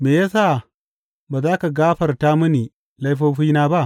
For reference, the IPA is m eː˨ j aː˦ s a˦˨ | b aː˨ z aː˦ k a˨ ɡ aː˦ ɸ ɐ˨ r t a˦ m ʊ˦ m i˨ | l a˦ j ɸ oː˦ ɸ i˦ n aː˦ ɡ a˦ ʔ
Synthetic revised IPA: m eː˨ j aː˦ s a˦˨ | b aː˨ z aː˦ k a˨ ɡ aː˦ ɸ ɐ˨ r t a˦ m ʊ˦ n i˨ | l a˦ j ɸ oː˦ ɸ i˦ n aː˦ b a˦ ʔ